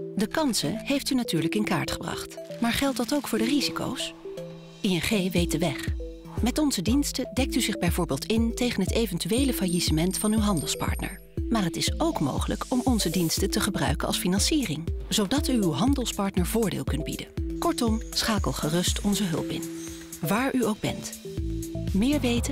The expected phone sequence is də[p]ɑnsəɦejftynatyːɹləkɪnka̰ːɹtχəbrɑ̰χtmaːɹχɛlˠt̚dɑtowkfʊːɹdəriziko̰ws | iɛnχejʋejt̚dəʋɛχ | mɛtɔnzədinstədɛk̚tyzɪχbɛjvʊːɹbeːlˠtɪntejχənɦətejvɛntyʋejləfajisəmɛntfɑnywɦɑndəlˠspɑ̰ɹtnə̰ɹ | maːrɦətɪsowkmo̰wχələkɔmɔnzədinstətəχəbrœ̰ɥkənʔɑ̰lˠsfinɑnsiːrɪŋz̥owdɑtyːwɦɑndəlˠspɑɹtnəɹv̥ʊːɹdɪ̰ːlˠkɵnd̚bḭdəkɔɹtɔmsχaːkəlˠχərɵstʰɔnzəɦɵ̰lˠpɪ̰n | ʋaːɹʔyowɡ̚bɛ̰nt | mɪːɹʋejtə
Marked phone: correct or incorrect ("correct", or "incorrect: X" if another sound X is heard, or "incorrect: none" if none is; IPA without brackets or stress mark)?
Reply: incorrect: k